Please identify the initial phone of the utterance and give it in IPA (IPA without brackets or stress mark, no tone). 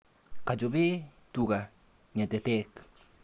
k